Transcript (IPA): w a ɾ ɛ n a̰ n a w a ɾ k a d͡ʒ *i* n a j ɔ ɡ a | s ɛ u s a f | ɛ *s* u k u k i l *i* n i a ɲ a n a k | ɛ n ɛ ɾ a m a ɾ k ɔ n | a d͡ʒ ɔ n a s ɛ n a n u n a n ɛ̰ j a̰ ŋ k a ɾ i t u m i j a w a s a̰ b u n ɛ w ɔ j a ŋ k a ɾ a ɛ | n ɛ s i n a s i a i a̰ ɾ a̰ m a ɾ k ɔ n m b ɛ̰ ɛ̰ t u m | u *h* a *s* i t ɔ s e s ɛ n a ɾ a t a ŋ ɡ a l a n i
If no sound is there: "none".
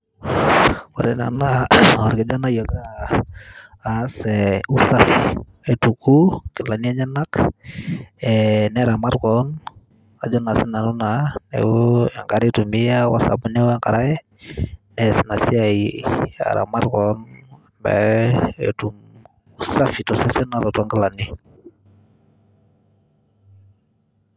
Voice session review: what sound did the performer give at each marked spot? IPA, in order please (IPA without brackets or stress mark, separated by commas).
a, t, a, s, f